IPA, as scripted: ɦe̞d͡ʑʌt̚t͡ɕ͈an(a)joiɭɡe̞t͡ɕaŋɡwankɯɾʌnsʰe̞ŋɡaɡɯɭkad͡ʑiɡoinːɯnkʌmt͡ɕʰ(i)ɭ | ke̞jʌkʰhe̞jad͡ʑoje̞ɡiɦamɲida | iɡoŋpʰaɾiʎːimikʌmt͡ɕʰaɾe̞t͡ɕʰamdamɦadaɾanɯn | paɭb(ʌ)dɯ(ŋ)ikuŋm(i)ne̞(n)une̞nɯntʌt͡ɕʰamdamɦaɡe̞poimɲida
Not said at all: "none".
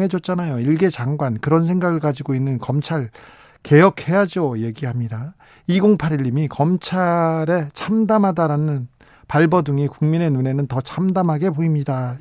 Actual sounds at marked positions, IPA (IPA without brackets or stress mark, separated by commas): a, a, ʌ, ŋ, i, n